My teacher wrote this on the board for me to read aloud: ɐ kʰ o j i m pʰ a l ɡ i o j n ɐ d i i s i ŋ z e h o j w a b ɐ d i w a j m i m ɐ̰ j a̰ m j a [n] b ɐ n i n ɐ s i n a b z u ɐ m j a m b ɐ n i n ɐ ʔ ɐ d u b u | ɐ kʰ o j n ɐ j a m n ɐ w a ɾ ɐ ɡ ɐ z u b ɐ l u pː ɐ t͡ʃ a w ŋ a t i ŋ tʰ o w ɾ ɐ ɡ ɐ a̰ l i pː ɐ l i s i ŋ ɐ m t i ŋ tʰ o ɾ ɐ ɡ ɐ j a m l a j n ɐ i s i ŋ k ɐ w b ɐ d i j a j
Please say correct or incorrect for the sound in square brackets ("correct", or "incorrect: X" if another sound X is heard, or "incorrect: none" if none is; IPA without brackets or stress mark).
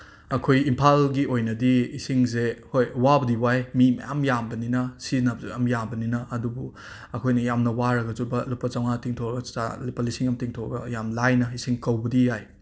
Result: incorrect: m